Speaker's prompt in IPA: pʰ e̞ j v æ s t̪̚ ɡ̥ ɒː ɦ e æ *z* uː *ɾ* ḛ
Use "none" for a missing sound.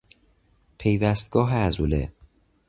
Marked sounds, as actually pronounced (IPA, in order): z, l

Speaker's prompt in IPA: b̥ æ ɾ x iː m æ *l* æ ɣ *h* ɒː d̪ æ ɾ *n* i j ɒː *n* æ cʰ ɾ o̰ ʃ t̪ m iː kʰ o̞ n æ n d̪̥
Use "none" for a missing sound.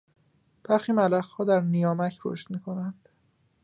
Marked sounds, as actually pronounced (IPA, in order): l, h, n, m

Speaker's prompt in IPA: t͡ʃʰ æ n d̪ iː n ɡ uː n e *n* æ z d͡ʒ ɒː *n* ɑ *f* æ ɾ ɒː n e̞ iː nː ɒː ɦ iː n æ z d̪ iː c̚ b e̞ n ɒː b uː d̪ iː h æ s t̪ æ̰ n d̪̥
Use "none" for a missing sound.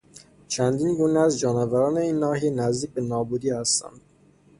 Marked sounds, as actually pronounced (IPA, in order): none, n, v

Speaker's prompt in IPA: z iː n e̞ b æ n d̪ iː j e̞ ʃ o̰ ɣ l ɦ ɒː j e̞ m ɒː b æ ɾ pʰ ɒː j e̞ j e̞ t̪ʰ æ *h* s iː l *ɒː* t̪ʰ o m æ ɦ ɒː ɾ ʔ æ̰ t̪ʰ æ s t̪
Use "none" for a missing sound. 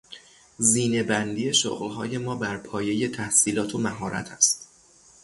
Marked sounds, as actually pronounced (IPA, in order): h, ɒː

